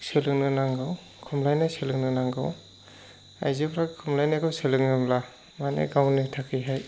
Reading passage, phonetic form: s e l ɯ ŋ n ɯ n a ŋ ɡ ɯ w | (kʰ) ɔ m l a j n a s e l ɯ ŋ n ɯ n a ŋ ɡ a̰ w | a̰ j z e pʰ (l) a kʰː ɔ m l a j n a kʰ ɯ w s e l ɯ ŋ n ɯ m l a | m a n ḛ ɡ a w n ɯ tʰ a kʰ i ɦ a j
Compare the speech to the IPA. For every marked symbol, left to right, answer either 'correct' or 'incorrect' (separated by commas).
correct, incorrect